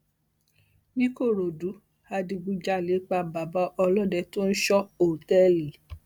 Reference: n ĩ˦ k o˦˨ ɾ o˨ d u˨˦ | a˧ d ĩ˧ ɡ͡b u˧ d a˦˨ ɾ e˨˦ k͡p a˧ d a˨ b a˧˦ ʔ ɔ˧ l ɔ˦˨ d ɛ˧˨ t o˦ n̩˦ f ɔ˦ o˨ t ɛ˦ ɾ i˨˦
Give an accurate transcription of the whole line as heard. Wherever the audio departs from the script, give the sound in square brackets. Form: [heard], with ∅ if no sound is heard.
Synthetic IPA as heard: n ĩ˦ k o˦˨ ɾ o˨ d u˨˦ | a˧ d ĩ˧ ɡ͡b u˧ [d͡ʒ] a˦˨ [l] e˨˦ k͡p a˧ [b] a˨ b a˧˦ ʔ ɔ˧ l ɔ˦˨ d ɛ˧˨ t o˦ n̩˦ [ʃ] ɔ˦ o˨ t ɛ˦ [l] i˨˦